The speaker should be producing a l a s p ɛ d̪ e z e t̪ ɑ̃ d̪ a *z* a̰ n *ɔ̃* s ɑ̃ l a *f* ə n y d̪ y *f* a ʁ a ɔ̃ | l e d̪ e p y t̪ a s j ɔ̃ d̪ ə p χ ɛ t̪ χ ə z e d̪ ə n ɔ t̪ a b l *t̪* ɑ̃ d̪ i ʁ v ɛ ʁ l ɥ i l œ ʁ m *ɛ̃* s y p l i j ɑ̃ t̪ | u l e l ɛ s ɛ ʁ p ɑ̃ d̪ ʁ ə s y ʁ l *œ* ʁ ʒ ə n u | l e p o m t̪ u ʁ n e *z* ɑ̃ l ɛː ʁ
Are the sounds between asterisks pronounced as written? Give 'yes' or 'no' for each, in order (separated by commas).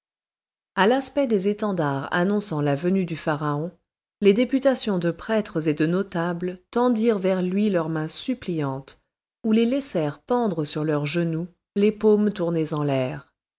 no, yes, no, yes, yes, yes, yes, yes